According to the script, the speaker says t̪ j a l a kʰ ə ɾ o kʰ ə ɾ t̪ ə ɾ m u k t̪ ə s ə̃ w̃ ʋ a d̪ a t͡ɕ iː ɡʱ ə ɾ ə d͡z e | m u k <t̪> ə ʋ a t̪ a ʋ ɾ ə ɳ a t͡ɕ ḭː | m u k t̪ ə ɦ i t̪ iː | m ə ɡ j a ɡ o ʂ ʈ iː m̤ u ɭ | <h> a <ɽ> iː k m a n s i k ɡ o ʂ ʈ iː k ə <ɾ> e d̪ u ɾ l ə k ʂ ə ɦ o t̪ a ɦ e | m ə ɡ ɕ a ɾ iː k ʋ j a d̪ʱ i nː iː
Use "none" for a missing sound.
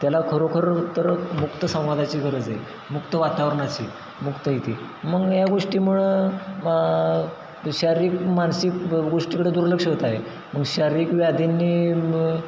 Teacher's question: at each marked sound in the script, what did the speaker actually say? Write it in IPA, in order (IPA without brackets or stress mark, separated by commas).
t̪, ɕ, ɾ, ɽ